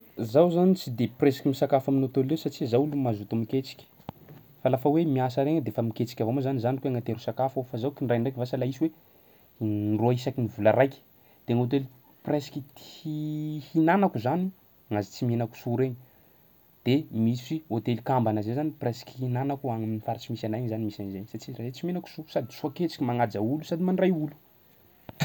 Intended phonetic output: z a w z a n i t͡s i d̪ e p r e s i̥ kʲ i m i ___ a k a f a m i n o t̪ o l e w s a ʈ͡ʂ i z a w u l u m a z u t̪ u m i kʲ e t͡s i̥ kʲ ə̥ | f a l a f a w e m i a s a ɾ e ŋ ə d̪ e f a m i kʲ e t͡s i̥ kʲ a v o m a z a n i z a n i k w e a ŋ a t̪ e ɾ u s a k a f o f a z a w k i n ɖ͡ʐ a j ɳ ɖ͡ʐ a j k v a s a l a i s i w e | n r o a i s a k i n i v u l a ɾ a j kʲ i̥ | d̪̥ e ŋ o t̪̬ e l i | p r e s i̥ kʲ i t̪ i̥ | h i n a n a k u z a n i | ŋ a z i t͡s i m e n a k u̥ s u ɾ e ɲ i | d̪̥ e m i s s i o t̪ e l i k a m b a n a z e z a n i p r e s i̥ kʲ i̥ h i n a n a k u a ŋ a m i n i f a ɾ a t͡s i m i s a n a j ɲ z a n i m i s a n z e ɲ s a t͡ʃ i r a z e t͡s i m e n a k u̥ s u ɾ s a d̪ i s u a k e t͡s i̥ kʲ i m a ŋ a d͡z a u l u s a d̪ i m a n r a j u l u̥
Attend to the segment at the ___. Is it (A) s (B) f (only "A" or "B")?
A